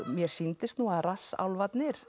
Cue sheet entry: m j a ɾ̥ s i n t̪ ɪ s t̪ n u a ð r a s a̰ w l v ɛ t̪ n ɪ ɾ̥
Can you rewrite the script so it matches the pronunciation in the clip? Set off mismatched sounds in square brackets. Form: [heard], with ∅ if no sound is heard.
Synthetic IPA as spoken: m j [ɛ] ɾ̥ s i n t̪ ɪ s t̪ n u a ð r a s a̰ w l v [a] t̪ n ɪ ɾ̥